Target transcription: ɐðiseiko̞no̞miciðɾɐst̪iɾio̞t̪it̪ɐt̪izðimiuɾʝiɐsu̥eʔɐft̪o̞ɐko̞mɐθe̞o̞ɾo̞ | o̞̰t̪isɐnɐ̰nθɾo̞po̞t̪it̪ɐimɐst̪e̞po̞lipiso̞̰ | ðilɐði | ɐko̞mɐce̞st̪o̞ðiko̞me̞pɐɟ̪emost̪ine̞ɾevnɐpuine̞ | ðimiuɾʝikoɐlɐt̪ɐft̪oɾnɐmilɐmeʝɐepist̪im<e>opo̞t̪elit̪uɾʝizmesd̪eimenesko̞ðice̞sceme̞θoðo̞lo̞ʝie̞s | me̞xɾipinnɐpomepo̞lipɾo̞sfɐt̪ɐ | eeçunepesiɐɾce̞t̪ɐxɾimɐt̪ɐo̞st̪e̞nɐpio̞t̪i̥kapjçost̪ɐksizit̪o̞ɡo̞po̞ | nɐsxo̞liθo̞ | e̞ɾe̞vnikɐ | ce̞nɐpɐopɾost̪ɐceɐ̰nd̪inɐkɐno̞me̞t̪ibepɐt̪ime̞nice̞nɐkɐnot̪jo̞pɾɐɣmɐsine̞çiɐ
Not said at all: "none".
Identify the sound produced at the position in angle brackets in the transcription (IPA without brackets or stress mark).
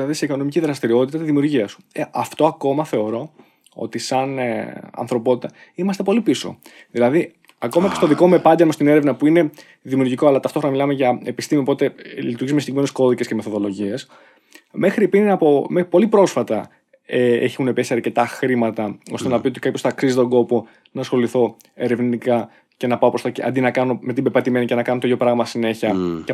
i